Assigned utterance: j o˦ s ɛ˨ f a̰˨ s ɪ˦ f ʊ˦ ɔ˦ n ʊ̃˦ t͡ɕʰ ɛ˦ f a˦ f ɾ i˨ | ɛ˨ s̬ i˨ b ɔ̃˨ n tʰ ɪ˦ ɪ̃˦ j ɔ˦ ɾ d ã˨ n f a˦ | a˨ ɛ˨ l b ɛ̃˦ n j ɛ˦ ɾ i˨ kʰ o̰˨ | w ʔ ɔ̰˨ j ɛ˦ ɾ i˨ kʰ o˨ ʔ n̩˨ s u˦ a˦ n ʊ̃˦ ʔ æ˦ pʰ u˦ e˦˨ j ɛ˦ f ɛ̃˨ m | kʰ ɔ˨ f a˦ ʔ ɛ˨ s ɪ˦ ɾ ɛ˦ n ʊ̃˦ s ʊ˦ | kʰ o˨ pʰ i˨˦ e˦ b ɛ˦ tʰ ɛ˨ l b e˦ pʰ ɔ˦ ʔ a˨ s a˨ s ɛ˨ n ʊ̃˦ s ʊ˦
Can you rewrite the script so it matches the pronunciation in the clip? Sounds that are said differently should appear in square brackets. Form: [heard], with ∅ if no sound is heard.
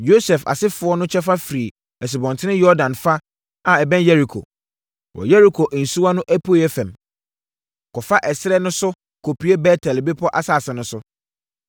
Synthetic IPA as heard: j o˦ s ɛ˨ f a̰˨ s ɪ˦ f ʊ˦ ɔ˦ n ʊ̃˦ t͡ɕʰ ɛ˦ f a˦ f ɾ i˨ | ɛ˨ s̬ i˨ b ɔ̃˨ n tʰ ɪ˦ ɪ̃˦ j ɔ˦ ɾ d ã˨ n f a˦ | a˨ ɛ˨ [∅] b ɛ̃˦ n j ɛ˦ ɾ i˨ kʰ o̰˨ | w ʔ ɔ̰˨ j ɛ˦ ɾ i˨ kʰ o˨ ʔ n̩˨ s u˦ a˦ n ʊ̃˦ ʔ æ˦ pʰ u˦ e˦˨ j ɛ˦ f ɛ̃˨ m | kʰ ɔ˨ f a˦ ʔ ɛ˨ s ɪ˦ ɾ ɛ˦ n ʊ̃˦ s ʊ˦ | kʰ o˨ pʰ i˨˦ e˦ b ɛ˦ tʰ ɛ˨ l b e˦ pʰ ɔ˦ ʔ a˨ s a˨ s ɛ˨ n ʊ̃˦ s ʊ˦